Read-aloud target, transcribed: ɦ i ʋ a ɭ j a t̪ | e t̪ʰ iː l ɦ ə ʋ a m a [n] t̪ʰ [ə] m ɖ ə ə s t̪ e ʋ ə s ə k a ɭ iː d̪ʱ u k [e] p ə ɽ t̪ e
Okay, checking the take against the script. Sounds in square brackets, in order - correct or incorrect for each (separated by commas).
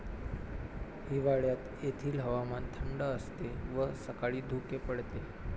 correct, correct, correct